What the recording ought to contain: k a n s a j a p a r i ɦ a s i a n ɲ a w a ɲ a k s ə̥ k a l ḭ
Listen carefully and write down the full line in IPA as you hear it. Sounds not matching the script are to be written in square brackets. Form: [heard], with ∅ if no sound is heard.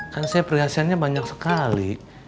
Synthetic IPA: k a n s a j a p [ə] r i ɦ a s i a n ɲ a [b] a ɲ a k s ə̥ k a l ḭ

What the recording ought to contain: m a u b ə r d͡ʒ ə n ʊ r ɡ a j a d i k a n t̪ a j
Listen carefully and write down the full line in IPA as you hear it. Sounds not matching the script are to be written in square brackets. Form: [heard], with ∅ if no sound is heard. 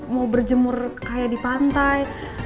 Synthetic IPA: m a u b ə r d͡ʒ ə [m] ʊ r [k] a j a d i [p] a n t̪ a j

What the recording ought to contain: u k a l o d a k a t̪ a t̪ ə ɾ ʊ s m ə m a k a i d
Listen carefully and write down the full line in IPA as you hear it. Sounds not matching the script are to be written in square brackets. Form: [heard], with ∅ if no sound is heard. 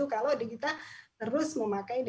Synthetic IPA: u k a l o d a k [i] t̪ a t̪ ə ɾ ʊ s m ə m a k a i d

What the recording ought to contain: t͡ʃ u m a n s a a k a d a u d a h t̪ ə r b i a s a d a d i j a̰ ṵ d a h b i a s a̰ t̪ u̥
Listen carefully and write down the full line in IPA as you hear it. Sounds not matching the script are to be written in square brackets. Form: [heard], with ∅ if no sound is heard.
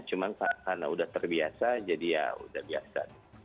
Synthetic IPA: t͡ʃ u m a n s a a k a [n] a u d a h t̪ ə r b i a s a [d͡ʒ] a d i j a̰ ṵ d a h b i a s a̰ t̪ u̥

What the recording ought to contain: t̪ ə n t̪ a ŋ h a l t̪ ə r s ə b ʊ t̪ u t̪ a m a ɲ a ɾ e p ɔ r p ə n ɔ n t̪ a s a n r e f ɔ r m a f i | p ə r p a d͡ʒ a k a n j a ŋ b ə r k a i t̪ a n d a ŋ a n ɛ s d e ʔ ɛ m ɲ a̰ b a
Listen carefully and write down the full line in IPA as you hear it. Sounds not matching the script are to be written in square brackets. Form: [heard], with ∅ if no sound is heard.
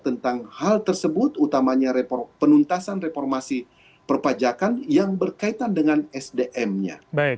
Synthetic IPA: t̪ ə n t̪ a ŋ h a l t̪ ə r s ə b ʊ t̪ u t̪ a m a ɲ a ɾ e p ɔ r p ə n [u] n t̪ a s a n r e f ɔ r m a [s] i | p ə r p a d͡ʒ a k a n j a ŋ b ə r k a i t̪ a n d [ə] ŋ a n ɛ s d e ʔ ɛ m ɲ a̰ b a

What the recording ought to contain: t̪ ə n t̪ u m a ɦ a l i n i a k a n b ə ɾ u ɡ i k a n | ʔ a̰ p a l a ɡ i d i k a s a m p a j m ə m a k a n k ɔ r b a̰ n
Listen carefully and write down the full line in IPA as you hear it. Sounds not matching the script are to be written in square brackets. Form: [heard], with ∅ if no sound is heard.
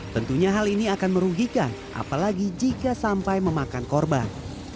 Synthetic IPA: t̪ ə n t̪ u [ɲ] a ɦ a l i n i a k a n [m] ə ɾ u ɡ i k a n | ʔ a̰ p a l a ɡ i [d͡ʒ] i k a s a m p a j m ə m a k a n k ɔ r b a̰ n

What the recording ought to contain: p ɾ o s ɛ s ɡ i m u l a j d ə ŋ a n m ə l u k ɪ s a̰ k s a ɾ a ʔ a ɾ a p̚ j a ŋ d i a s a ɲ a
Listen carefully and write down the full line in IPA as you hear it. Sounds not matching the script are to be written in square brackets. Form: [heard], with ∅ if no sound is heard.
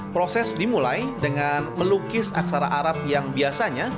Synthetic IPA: p ɾ o s ɛ s [d] i m u l a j d ə ŋ a n m ə l u k ɪ s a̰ k s a ɾ a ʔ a ɾ a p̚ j a ŋ [b] i a s a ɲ a

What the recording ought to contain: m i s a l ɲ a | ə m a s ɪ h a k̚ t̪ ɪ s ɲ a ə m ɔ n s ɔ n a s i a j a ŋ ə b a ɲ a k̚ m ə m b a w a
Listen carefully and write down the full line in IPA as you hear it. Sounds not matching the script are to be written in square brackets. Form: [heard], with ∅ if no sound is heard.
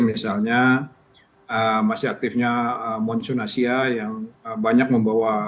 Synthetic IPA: m i s a l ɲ a | ə m a s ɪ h a k̚ t̪ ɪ [f] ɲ a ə m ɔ n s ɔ n a s i a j a ŋ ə b a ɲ a k̚ m ə m b a w a

